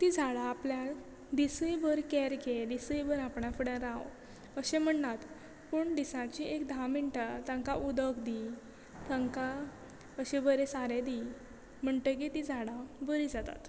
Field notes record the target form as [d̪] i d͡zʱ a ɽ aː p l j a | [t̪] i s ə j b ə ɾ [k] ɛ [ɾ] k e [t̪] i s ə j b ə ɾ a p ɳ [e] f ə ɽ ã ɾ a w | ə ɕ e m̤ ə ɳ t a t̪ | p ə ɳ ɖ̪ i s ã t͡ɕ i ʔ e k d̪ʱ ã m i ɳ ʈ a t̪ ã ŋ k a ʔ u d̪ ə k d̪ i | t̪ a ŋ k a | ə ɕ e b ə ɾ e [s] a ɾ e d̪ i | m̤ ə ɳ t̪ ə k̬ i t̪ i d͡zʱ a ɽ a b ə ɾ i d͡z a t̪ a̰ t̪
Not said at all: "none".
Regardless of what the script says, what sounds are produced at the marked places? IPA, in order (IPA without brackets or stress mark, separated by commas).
t̪, d̪, k, ɾ, d̪, a, s